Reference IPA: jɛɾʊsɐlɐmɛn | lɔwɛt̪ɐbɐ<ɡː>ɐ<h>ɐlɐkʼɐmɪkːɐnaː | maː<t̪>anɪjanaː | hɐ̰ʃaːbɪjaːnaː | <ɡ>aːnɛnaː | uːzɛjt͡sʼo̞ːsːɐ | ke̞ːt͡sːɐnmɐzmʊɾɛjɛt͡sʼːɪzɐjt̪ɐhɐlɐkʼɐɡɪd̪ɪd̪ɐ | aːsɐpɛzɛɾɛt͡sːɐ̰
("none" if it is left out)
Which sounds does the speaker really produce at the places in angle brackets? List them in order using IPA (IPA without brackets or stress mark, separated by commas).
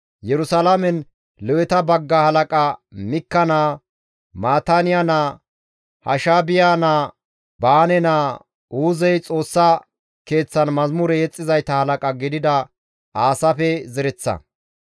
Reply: ɡː, h, t̪, b